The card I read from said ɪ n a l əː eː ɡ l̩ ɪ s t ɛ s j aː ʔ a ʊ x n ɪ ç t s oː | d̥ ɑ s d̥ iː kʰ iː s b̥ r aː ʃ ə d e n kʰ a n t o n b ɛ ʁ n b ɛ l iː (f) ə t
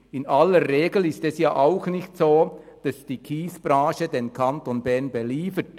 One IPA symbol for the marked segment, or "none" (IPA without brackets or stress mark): f